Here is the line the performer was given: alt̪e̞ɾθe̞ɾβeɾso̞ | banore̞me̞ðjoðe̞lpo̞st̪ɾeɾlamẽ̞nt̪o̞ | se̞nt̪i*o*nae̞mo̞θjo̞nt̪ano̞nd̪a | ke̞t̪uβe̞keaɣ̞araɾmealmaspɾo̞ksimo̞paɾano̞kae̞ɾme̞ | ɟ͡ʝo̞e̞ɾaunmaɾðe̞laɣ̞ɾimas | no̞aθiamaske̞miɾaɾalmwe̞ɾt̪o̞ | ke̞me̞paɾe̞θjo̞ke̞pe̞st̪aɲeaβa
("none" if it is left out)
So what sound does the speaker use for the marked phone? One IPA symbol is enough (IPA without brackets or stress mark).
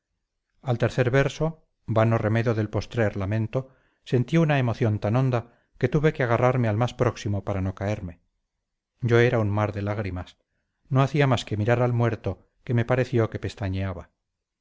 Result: u